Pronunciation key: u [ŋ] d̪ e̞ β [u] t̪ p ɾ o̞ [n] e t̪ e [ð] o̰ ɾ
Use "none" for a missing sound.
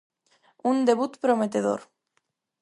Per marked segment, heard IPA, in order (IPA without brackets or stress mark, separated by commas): n, u, m, ð